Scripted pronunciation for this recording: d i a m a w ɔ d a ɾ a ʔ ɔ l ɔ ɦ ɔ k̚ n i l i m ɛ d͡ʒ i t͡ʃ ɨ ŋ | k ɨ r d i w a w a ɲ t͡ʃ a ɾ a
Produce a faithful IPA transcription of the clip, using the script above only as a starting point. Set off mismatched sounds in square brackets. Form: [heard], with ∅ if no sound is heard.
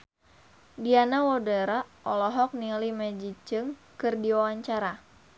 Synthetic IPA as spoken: d i a [n] a w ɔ d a ɾ a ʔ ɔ l ɔ ɦ ɔ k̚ n i l i m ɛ d͡ʒ i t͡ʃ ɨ ŋ | k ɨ r d i w a w a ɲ t͡ʃ a ɾ a